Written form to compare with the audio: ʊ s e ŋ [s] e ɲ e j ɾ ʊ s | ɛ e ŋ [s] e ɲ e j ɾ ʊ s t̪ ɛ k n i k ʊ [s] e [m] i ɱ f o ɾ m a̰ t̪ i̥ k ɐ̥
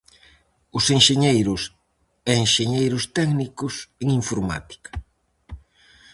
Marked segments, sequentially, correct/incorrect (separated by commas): incorrect, incorrect, correct, incorrect